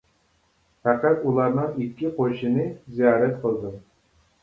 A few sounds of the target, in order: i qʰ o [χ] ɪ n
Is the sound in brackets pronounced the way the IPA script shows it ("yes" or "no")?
no